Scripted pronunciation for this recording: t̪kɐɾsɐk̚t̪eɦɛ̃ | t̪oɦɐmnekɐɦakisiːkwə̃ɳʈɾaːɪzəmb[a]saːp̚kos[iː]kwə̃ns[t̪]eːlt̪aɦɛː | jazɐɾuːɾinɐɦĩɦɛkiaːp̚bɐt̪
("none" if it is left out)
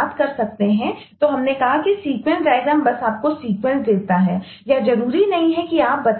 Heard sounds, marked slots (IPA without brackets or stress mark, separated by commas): ɐ, iː, d̪